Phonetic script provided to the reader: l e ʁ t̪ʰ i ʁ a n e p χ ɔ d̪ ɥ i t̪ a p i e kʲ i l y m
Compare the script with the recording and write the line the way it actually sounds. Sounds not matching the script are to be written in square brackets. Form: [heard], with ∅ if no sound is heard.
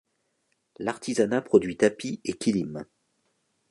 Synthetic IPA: l [a] ʁ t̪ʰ i [z] a n [a] p χ ɔ d̪ ɥ i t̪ a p i e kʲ i l [i] m

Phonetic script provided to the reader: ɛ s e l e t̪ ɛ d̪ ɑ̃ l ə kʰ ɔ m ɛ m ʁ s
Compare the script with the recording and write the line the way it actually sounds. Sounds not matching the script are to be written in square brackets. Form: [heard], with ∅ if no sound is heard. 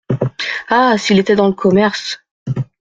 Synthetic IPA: [a] s [i] l e t̪ ɛ d̪ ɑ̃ l ə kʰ ɔ m ɛ [∅] ʁ s

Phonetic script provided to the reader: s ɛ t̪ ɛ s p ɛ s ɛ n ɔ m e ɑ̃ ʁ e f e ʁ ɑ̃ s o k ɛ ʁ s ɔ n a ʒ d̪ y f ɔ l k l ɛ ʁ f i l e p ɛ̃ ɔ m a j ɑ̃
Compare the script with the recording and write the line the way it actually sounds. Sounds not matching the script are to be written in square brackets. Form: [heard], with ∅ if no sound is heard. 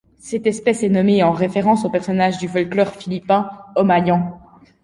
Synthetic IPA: s ɛ t̪ ɛ s p ɛ s ɛ n ɔ m e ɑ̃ ʁ e f e ʁ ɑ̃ s o [p] ɛ ʁ s ɔ n a ʒ d̪ y f ɔ l k l [œ] ʁ f i l [i] p ɛ̃ ɔ m a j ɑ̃

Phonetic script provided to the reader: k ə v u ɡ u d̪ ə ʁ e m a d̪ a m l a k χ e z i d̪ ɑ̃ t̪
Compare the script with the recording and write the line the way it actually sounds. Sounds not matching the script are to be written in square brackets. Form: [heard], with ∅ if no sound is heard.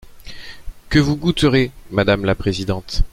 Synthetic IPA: k ə v u ɡ u [t̪] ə ʁ e m a d̪ a m l a [p] χ e z i d̪ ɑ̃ t̪

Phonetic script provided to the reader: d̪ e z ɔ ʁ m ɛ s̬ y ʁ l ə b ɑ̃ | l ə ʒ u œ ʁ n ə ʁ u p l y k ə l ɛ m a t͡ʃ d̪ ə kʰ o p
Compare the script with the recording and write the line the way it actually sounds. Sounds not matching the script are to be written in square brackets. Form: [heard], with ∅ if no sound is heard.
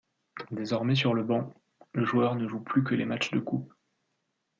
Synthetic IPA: d̪ e z ɔ ʁ m ɛ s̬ y ʁ l ə b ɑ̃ | l ə ʒ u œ ʁ n ə [ʒ] u p l y k ə l [e] m a t͡ʃ d̪ ə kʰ [u] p

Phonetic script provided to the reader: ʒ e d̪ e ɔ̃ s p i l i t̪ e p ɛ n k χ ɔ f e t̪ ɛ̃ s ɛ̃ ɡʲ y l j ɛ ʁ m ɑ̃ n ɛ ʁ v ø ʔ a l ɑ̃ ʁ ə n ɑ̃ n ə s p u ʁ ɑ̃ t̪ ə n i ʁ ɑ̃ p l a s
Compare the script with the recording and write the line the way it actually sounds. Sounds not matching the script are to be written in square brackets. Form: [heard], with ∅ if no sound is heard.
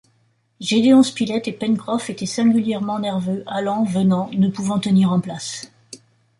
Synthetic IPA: ʒ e d̪ e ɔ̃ s p i l [ɛ] t̪ e p ɛ n k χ ɔ f e t̪ [ɛ] s ɛ̃ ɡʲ y l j ɛ ʁ m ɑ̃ n ɛ ʁ v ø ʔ a l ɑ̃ [v] ə n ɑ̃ n ə [∅] p u [v] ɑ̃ t̪ ə n i ʁ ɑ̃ p l a s

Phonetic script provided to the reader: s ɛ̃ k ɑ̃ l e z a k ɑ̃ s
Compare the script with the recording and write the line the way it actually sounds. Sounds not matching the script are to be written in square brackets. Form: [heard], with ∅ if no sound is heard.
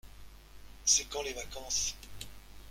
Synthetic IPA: s [ɛ] k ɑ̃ l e [v] a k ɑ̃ s

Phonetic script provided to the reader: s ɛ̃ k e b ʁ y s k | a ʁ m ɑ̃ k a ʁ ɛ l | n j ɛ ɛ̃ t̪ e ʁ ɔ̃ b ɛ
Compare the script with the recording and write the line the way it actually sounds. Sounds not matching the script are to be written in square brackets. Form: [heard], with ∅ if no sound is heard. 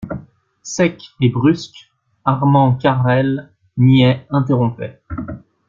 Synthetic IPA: s [ɛ] k e b ʁ y s k | a ʁ m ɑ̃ k a ʁ ɛ l | n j ɛ ɛ̃ t̪ e ʁ ɔ̃ [p] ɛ

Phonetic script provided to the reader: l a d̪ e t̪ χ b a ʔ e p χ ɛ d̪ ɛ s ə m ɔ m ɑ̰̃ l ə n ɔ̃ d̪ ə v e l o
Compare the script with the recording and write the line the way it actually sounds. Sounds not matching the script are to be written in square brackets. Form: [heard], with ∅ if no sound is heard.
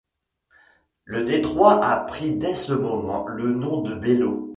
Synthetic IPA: l [ə] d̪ e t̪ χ [w] a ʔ [a] p χ [i] d̪ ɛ s ə m ɔ m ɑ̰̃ l ə n ɔ̃ d̪ ə [b] e l o

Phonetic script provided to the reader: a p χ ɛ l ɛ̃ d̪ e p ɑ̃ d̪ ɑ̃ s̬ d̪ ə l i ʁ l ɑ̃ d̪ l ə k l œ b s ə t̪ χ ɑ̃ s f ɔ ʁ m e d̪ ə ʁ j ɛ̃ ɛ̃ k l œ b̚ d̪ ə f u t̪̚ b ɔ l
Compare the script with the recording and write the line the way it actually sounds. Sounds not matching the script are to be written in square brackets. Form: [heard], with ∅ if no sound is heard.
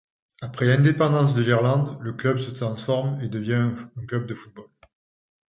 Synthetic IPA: a p χ ɛ l ɛ̃ d̪ e p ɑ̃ d̪ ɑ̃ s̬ d̪ ə l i ʁ l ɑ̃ d̪ l ə k l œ b s ə t̪ χ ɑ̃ s f ɔ ʁ m e d̪ ə [v] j ɛ̃ ɛ̃ k l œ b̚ d̪ ə f u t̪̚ b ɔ l

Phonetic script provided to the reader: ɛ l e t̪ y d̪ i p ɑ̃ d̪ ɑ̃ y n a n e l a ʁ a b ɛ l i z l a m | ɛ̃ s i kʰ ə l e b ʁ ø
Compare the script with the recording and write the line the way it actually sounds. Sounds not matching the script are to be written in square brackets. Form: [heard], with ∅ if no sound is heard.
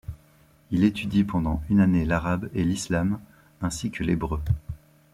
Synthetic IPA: [i] l e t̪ y d̪ i p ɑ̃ d̪ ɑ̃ y n a n e l a ʁ a b [e] l i [s] l a m | ɛ̃ s i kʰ ə l e b ʁ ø

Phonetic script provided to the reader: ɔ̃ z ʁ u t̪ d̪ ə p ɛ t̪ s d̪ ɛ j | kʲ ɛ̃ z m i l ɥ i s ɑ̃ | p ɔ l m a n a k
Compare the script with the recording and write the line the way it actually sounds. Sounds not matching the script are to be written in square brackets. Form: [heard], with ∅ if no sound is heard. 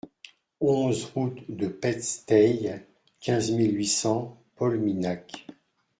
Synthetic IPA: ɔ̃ z ʁ u t̪ d̪ ə p ɛ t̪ s [t̪] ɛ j | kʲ ɛ̃ z m i l ɥ i s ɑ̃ | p ɔ l m [i] n a k

